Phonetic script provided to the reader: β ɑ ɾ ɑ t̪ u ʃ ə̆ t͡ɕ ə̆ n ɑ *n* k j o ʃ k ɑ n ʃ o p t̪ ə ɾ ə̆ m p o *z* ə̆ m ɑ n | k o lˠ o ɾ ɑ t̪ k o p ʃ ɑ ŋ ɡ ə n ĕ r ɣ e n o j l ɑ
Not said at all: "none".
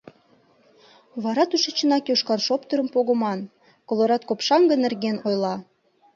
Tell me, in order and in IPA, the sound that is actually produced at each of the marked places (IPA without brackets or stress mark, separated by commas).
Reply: none, ɣ